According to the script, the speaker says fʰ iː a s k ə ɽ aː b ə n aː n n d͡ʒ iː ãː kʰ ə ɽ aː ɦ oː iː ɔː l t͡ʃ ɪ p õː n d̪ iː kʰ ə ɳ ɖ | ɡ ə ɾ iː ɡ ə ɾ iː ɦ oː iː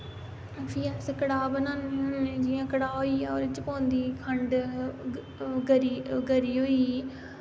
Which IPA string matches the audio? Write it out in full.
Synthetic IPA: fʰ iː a s k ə ɽ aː b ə n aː n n d͡ʒ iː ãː k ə ɽ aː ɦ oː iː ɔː ɾ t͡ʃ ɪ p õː n d̪ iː kʰ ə ɳ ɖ | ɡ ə ɾ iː ɡ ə ɾ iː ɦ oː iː